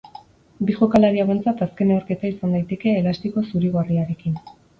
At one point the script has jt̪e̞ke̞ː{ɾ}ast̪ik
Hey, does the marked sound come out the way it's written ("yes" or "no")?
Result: no